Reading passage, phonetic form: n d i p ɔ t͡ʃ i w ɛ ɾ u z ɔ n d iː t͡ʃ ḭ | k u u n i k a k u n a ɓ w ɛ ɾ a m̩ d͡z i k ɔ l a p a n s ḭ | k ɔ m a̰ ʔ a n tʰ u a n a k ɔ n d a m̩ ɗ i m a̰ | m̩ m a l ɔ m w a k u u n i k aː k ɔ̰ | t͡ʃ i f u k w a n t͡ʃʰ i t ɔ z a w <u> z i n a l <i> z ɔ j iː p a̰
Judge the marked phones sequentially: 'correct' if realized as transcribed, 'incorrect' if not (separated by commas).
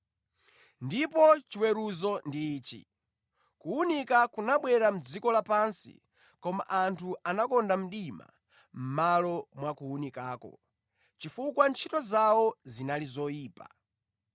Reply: incorrect, correct